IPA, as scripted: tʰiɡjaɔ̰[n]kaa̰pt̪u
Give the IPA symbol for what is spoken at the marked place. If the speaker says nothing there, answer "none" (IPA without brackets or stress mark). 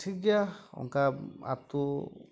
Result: ŋ